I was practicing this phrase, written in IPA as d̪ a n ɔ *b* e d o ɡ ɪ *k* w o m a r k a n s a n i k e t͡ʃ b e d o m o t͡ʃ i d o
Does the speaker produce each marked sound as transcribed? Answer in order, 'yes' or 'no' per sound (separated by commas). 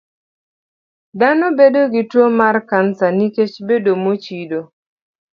yes, no